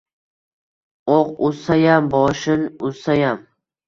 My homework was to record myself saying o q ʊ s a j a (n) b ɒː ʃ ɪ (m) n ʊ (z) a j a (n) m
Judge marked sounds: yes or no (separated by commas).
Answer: no, no, no, no